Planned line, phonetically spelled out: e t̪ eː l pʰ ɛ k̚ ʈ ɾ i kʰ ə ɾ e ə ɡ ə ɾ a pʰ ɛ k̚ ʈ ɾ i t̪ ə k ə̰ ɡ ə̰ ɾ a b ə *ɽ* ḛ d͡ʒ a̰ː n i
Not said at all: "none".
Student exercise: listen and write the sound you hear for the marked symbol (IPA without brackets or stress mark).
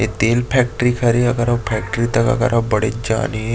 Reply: ɽ